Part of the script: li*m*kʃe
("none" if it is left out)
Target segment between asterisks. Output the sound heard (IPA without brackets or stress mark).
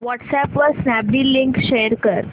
ŋ